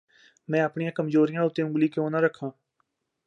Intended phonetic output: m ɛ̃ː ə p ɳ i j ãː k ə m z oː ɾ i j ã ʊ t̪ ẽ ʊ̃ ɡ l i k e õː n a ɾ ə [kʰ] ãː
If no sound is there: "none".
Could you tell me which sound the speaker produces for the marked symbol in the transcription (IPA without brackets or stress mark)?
kʰ